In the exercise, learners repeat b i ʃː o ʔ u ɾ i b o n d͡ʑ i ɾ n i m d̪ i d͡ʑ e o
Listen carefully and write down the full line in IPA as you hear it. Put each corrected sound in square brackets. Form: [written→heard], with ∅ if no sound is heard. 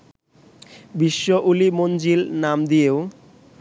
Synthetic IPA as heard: b i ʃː o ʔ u [ɾ→l] i [b→m] o n d͡ʑ i [ɾ→l] n [i→a] m d̪ i [d͡ʑ→∅] e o